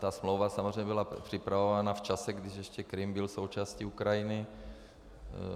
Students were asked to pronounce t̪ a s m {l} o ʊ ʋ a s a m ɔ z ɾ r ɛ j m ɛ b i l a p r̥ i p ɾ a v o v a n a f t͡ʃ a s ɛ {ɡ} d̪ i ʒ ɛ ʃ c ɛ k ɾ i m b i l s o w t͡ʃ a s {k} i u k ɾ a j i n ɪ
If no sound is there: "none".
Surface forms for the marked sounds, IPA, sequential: l, ɡ, c

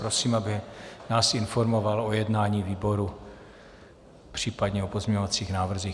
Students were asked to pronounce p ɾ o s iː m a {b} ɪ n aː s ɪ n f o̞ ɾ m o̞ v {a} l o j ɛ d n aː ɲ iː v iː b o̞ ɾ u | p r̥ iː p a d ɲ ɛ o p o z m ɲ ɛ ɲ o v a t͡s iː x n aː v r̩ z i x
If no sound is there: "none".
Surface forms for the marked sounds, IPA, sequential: b, a

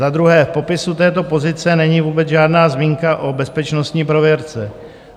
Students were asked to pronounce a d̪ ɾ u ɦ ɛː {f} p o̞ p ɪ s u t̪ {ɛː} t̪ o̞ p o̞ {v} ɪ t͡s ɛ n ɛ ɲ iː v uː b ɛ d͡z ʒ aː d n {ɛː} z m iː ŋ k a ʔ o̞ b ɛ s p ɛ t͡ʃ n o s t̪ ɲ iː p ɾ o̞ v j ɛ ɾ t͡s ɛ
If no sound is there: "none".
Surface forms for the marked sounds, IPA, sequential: f, ɛː, z, aː

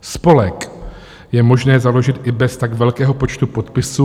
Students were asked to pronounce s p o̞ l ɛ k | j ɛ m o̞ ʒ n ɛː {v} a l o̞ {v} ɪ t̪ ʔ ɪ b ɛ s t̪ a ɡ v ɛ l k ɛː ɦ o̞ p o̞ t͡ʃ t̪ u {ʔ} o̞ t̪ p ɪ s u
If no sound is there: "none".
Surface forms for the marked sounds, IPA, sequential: z, ʒ, p

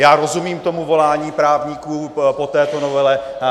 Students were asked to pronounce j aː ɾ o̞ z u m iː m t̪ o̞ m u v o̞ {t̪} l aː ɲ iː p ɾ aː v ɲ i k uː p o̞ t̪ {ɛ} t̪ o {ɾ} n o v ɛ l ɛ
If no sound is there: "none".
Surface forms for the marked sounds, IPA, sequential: none, ɛː, none

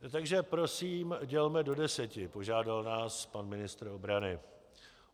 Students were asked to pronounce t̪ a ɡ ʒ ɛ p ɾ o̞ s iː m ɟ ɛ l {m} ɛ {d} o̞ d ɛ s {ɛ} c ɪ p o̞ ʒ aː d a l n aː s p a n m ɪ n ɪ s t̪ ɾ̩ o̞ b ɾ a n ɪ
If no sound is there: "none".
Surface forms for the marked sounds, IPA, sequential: m, d, ɛ

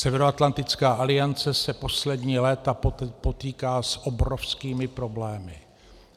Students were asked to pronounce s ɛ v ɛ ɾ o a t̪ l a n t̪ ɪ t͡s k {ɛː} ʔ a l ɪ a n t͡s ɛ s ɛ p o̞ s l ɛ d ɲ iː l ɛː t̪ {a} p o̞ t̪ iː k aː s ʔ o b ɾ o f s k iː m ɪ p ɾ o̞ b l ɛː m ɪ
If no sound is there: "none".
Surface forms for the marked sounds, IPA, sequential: aː, a

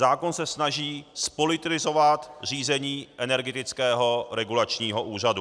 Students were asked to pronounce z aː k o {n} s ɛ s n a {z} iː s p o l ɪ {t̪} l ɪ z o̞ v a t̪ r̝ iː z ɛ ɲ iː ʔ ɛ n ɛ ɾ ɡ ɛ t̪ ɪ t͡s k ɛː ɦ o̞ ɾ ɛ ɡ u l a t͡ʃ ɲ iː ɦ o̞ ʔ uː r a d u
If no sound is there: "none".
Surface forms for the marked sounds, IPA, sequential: n, ʒ, t̪

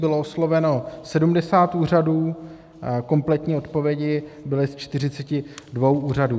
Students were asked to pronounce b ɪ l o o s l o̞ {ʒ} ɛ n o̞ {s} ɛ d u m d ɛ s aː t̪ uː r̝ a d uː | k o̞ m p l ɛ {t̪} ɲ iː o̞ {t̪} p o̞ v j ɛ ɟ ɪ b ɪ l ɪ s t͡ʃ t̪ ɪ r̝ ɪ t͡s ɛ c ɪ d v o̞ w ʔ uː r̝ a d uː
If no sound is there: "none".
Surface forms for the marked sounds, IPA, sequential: v, s, t̪, t̪

